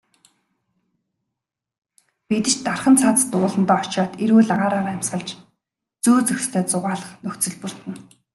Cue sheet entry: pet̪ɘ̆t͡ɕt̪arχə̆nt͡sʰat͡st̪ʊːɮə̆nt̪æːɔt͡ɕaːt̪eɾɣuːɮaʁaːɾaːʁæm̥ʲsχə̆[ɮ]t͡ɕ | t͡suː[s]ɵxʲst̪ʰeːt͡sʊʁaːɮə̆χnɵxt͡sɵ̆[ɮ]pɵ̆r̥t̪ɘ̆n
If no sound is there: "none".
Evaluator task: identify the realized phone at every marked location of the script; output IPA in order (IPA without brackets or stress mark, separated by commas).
ɮ, t͡s, ɮ